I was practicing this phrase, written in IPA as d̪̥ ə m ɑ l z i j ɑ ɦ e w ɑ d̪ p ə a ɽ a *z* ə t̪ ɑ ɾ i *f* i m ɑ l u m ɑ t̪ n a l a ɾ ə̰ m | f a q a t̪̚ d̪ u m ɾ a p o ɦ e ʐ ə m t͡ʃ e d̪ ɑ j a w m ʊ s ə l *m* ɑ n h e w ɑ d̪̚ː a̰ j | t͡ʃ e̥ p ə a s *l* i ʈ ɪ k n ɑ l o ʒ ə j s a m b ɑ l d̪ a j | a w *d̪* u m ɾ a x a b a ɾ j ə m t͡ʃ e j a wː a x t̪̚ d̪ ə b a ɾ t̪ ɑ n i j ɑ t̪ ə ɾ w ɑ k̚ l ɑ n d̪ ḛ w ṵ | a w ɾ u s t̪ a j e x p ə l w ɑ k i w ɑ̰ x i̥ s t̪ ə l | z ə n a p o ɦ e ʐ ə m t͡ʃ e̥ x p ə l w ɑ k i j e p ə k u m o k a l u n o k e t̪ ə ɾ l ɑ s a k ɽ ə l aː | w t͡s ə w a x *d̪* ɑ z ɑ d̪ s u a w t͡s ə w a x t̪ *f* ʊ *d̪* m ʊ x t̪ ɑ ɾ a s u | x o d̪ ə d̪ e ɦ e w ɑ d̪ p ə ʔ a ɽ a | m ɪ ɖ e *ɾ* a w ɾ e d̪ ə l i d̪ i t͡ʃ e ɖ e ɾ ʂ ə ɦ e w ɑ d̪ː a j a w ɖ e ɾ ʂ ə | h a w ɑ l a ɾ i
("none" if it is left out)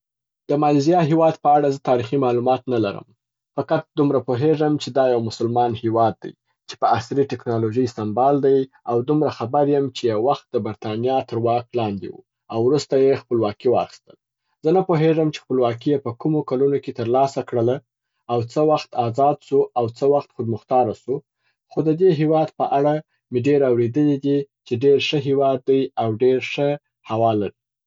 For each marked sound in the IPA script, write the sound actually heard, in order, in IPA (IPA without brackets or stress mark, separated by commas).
z, x, m, ɾ, d̪, t̪, x, d̪, ɾ